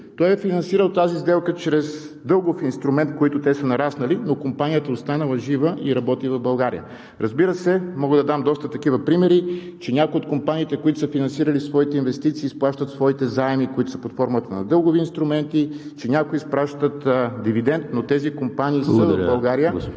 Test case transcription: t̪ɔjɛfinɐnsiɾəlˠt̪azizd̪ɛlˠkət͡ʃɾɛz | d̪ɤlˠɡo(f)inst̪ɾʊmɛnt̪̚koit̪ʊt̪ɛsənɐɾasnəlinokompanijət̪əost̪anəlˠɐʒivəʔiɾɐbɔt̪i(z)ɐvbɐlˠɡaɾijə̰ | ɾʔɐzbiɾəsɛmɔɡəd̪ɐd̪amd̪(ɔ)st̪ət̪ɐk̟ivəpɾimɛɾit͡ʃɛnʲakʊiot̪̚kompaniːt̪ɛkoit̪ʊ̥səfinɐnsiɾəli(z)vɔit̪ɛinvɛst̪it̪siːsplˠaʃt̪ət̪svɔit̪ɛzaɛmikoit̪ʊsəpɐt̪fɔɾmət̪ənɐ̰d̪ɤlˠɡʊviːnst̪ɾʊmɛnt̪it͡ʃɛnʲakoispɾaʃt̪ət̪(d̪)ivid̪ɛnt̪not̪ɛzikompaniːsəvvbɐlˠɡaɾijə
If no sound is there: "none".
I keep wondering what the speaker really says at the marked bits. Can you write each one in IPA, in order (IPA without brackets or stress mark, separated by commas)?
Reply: f, v, ɔ, s, d̪